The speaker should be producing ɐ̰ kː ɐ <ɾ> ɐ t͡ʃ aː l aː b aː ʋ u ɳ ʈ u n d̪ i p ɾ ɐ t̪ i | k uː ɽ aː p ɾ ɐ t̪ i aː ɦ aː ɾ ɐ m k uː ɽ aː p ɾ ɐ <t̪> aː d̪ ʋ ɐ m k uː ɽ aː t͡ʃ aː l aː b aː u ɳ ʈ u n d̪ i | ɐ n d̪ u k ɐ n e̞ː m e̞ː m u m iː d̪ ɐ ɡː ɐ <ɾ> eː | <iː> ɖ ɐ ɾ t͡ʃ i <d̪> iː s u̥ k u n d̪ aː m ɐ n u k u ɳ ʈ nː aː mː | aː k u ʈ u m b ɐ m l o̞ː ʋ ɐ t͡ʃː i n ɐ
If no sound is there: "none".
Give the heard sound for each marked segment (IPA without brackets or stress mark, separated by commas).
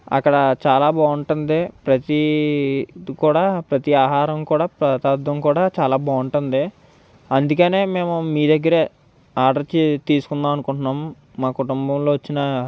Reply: ɽ, t̪, ɾ, aː, t̪